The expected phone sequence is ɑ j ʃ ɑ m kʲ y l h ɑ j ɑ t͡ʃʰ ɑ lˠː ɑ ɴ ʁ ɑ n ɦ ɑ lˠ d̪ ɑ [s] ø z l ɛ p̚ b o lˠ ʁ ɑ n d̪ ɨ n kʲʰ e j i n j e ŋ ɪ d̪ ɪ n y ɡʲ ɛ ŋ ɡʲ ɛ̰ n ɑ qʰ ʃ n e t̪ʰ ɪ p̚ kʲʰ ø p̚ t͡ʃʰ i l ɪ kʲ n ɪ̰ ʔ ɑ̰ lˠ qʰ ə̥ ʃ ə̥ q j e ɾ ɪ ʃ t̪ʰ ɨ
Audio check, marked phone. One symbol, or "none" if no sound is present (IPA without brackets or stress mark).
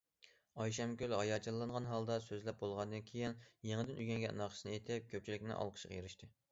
s